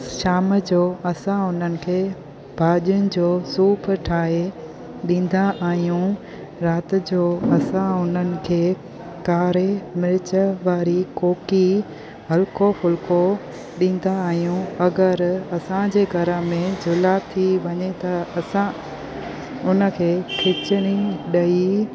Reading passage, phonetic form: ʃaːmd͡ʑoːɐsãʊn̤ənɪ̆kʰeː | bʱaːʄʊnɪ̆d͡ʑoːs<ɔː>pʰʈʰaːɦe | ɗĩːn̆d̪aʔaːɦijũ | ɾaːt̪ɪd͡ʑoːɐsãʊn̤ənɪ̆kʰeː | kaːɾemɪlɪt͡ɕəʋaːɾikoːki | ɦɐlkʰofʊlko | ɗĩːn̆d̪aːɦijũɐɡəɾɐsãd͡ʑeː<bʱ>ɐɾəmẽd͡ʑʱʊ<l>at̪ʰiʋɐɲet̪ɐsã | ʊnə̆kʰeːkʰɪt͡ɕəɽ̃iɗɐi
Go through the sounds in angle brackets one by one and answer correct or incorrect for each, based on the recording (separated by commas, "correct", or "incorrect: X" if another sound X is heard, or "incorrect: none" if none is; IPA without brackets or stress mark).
incorrect: uː, incorrect: ɡʱ, correct